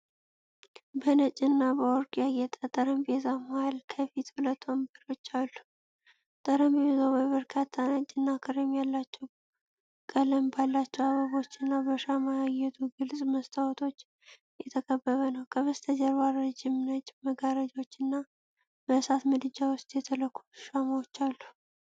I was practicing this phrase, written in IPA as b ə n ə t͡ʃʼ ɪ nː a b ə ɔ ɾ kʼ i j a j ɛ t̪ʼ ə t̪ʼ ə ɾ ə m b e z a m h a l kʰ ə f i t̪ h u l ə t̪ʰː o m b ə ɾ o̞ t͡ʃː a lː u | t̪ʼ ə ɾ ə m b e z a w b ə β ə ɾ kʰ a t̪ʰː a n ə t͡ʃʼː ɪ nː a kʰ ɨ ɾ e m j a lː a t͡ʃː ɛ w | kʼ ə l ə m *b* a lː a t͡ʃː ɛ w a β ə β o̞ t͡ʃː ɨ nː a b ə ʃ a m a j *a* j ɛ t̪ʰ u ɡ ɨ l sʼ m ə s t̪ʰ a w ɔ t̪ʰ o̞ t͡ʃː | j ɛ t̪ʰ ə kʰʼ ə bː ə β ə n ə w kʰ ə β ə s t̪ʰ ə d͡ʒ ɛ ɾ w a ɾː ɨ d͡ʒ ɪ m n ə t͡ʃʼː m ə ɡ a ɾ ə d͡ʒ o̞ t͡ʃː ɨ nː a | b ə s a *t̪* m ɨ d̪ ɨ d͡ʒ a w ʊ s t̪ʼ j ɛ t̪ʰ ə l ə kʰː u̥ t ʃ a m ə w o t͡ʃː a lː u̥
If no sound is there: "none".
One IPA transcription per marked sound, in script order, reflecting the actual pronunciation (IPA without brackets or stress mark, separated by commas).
b, a, t̪